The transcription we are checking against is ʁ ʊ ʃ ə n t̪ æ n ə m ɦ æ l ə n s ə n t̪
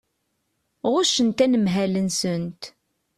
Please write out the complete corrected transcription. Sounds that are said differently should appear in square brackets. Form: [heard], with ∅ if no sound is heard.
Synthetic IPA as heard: ʁ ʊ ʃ ə n t̪ æ n ə m ɦ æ l ə n s ə n t̪